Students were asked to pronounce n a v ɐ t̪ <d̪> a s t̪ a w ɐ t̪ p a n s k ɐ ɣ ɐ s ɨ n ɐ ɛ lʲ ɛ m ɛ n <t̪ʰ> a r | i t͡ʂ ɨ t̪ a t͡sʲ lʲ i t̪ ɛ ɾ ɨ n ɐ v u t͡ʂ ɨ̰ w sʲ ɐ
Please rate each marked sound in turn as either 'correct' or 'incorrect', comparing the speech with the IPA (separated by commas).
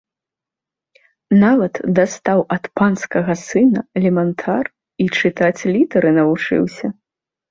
correct, correct